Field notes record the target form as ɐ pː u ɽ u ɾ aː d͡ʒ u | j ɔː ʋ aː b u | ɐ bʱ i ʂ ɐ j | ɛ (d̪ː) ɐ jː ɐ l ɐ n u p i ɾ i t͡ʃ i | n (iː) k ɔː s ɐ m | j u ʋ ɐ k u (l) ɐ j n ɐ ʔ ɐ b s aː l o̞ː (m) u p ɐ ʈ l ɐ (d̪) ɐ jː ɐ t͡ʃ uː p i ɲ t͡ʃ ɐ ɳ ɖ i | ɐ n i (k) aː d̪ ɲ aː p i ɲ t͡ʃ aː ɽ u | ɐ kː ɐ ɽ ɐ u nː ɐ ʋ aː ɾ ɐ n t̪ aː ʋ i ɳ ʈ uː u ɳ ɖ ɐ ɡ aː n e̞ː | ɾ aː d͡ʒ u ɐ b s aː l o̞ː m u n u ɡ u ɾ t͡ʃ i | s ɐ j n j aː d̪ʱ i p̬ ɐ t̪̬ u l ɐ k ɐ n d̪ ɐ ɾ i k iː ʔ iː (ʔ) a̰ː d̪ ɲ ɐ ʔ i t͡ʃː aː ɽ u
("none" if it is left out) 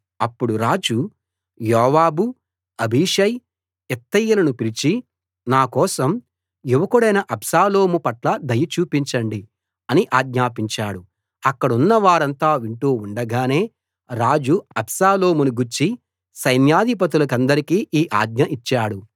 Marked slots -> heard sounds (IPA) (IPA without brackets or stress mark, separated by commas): t̪ː, aː, ɽ, m, d̪, ʔ, ʔ